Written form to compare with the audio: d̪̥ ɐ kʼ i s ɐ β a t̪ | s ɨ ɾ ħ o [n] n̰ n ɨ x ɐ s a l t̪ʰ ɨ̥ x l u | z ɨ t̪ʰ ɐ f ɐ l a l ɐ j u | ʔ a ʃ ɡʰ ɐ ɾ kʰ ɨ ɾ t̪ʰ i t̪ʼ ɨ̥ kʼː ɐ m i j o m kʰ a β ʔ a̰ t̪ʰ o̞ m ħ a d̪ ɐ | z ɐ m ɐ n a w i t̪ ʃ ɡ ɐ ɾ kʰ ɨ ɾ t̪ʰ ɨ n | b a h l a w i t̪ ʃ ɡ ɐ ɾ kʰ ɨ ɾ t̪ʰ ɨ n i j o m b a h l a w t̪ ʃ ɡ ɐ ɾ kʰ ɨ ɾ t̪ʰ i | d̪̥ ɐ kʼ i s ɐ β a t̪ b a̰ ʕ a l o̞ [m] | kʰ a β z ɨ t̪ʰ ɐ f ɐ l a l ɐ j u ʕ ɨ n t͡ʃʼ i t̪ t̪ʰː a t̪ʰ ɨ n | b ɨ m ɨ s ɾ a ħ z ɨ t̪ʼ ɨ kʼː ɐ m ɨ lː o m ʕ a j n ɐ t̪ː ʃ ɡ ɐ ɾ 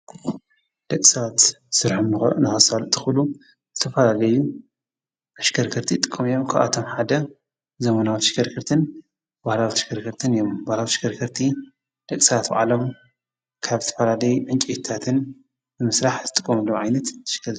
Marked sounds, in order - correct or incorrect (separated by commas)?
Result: incorrect, correct